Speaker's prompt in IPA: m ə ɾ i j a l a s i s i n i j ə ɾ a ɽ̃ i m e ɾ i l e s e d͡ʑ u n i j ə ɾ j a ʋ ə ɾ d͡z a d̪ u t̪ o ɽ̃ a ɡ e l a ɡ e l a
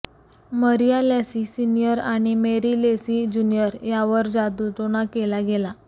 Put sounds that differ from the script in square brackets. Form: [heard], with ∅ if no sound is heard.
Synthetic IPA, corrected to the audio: m ə ɾ i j a l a s i s i n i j ə ɾ a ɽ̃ i m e ɾ i l e s [i] d͡ʑ u n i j ə ɾ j a ʋ ə ɾ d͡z a d̪ u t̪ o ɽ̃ a [k] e l a ɡ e l a